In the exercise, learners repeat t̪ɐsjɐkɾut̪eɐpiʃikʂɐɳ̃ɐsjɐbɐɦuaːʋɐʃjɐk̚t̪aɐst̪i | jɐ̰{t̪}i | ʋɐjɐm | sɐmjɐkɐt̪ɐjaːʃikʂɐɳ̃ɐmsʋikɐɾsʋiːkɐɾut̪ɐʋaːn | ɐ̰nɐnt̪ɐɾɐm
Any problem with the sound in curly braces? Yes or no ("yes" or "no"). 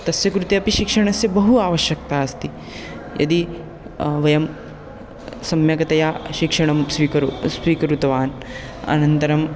yes